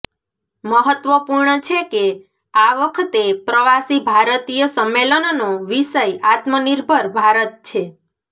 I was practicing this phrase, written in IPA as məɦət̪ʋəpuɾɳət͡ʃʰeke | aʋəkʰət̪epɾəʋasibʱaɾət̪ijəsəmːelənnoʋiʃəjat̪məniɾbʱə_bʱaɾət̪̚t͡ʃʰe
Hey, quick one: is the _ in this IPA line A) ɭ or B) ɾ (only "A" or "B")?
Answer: B